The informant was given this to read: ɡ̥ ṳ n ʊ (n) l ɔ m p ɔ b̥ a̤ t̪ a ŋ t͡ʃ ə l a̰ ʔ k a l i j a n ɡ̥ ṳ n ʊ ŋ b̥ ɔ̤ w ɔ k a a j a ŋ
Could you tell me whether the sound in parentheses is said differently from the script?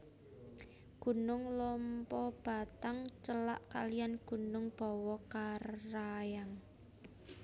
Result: yes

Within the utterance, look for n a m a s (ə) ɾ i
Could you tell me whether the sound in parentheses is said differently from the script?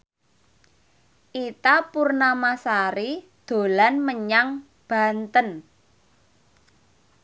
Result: yes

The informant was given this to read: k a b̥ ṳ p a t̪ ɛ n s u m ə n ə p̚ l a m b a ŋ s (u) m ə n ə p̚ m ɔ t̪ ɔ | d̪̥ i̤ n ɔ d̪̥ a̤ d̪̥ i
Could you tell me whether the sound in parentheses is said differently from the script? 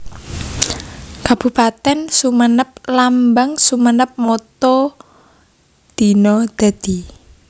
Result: no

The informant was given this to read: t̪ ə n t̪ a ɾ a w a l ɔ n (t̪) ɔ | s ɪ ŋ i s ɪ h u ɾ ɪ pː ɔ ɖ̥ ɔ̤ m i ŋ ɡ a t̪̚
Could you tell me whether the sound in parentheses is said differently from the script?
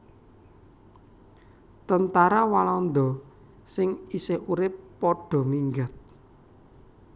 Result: yes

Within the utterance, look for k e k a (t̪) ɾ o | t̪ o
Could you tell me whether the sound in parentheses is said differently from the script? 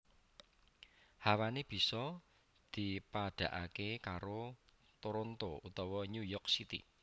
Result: yes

